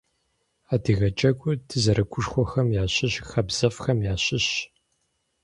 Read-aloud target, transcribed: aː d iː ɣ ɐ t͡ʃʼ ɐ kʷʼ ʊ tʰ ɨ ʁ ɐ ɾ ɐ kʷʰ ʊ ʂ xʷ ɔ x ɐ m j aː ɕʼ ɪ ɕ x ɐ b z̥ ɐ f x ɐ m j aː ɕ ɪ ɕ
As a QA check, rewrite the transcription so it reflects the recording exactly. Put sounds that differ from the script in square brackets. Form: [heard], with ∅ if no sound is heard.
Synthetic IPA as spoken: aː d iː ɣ ɐ t͡ʃʼ ɐ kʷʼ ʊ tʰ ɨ [z] ɐ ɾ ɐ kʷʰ ʊ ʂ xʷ ɔ x ɐ m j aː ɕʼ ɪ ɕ x ɐ b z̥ ɐ f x ɐ m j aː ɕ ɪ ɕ